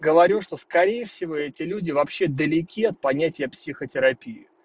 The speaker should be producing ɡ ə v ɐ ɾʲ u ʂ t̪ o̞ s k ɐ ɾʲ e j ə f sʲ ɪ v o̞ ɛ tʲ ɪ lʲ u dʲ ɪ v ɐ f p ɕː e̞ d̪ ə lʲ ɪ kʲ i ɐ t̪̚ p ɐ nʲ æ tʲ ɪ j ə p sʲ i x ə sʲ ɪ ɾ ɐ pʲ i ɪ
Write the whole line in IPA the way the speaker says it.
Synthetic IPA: ɡ ə v ɐ ɾʲ u ʂ t̪ o̞ s k ɐ ɾʲ e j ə f sʲ ɪ v o̞ ɛ tʲ ɪ lʲ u dʲ ɪ v ɐ p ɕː e̞ d̪ ə lʲ ɪ kʲ i ɐ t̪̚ p ɐ nʲ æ tʲ ɪ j ə p sʲ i x ə tʲ ɪ ɾ ɐ pʲ i ɪ